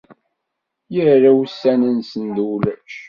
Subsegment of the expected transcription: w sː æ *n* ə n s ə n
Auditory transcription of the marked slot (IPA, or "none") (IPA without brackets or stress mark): n